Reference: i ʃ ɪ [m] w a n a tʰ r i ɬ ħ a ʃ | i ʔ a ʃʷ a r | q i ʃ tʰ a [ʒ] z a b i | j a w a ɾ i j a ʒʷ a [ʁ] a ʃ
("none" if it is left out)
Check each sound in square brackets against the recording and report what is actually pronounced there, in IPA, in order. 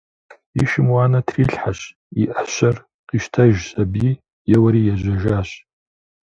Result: m, ʒ, ʒ

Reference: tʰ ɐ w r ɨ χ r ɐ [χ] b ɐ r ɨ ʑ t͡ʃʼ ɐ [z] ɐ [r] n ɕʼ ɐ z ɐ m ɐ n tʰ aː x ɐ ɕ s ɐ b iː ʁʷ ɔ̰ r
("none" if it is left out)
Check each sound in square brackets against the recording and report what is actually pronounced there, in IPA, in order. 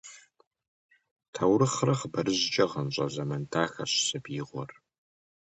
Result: χ, ʁ, none

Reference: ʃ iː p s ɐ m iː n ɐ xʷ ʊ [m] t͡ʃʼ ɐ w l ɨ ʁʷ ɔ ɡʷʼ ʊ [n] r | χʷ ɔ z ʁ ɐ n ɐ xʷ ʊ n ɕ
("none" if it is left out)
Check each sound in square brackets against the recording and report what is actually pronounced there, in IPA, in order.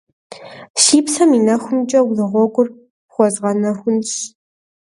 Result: m, none

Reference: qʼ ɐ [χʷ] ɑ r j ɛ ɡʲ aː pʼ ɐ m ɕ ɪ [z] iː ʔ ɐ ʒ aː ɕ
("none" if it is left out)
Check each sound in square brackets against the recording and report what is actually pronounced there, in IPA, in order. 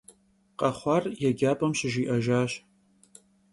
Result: χʷ, ʒ

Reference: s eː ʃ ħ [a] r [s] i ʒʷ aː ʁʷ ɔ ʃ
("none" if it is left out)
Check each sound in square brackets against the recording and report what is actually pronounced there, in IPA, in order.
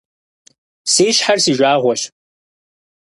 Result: a, s

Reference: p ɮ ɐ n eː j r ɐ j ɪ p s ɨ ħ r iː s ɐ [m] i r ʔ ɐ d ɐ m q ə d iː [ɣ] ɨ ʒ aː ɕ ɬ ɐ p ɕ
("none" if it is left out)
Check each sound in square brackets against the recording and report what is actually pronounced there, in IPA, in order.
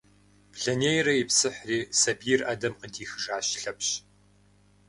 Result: b, x

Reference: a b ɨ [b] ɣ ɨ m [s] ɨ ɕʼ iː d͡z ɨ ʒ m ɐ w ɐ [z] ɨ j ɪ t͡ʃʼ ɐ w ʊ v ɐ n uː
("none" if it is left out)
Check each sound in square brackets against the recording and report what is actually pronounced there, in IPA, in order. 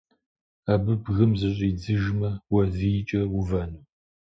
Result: b, z, z

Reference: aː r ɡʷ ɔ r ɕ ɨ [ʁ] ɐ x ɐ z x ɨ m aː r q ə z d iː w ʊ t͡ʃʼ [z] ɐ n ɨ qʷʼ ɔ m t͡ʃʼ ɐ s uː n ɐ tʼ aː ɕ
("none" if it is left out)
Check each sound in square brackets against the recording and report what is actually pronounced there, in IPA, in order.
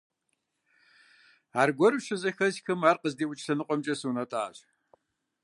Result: z, s

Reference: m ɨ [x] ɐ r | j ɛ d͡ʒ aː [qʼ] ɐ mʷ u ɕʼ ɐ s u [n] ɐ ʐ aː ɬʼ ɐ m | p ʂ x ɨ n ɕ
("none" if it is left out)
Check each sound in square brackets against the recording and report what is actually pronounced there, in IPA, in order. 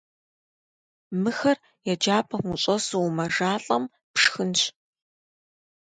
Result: x, pʼ, m

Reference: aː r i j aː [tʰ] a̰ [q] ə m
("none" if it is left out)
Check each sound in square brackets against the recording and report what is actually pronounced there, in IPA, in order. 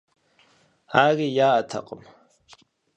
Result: tʰ, qʼ

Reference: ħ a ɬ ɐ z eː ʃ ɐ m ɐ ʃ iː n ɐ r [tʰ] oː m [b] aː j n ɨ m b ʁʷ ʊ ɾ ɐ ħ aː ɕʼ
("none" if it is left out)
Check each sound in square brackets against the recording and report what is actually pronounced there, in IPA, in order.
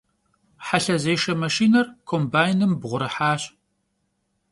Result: kʰ, b

